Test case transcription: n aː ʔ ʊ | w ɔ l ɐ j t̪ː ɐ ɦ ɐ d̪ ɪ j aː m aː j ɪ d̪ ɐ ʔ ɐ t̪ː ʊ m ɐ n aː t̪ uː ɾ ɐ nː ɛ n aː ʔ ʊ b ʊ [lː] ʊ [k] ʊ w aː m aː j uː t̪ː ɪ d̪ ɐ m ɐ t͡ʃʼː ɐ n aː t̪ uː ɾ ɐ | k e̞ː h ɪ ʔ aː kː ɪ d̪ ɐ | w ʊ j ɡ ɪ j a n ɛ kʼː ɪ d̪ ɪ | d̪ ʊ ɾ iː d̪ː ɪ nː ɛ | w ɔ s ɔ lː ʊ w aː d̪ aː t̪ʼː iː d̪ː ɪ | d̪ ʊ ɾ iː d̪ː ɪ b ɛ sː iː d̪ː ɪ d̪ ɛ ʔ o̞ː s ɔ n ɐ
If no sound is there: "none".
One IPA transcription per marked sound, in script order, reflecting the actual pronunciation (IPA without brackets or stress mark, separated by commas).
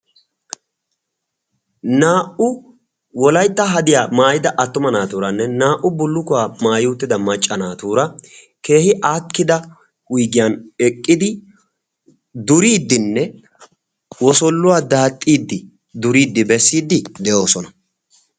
lː, k